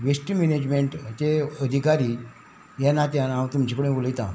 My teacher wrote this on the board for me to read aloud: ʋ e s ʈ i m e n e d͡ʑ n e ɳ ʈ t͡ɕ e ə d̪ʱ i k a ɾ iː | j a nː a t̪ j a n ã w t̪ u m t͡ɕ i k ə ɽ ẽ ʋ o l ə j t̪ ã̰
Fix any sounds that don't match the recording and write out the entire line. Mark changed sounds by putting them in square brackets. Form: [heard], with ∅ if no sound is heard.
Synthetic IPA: ʋ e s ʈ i m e n e d͡ʑ [m] e ɳ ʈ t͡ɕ e ə d̪ʱ i k a ɾ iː | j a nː a t̪ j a n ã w t̪ u m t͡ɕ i k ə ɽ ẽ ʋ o l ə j t̪ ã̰